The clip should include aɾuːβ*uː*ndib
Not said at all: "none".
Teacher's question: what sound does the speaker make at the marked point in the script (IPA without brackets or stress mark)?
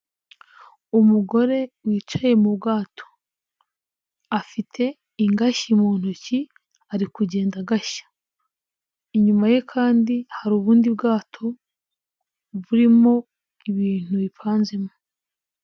uː